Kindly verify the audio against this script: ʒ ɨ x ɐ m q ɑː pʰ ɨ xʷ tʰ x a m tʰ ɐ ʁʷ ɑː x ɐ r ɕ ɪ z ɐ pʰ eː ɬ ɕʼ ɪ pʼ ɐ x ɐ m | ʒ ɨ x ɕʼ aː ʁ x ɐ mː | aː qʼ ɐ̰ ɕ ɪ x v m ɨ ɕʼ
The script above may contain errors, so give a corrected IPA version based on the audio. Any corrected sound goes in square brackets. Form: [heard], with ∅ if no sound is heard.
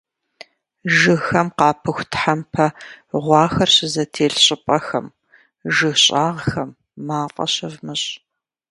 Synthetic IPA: ʒ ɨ x ɐ m q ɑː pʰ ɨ xʷ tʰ [ħ] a m [pʰ] ɐ ʁʷ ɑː x ɐ r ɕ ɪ z ɐ [tʰ] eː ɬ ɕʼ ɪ pʼ ɐ x ɐ m | ʒ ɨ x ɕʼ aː ʁ x ɐ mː | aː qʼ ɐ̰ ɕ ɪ [∅] v m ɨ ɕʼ